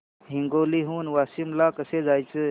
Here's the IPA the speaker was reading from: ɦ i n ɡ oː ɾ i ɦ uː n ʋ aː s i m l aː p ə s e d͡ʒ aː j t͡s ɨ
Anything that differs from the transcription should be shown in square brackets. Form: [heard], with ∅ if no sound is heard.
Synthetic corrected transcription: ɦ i [ŋ] ɡ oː [l] i ɦ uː n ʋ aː s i m l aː [k] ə s e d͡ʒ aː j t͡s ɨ